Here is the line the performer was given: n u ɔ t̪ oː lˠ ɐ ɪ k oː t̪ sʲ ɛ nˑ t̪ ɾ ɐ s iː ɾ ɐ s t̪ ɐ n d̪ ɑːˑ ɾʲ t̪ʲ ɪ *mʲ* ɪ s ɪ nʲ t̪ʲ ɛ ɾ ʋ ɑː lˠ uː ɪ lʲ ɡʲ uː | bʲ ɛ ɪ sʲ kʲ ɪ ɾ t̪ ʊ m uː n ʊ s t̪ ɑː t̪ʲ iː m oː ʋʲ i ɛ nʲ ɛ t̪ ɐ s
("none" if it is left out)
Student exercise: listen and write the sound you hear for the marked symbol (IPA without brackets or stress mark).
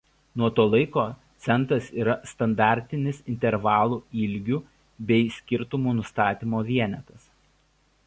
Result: nʲ